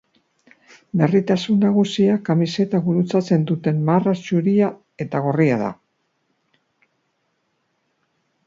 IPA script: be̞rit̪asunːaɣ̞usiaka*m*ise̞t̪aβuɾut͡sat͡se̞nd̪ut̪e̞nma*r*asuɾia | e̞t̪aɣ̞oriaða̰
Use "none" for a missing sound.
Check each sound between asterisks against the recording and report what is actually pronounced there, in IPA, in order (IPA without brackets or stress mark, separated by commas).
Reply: m, r